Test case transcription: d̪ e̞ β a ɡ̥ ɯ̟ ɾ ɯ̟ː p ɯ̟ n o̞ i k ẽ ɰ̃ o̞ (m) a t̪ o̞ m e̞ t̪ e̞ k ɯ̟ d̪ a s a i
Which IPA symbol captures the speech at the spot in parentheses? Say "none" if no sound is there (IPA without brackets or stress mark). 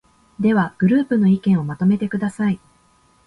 m